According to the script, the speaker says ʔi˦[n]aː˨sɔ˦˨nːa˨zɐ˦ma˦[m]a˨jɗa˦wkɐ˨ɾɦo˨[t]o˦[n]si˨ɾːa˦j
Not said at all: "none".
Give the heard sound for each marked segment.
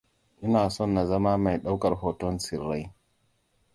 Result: n, m, t, n

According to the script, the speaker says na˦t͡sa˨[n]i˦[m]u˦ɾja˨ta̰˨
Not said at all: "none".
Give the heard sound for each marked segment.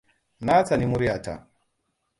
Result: n, m

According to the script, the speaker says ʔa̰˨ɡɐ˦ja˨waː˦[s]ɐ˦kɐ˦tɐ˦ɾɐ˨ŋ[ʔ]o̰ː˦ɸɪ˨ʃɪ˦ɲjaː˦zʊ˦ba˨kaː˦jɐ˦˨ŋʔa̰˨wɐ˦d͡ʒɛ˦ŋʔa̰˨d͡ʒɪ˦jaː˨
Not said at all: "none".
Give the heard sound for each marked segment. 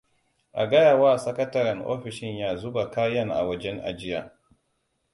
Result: s, ʔ

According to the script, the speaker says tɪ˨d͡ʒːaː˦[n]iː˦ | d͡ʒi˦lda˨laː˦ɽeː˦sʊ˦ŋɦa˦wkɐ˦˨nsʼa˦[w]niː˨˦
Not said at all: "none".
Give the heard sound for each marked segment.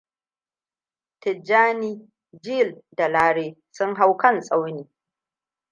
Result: n, w

